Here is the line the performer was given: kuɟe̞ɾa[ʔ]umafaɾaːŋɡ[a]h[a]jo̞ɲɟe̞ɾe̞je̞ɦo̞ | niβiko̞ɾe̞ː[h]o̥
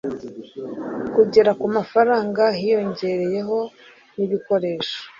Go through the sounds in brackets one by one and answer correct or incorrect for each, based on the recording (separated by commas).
incorrect, correct, incorrect, incorrect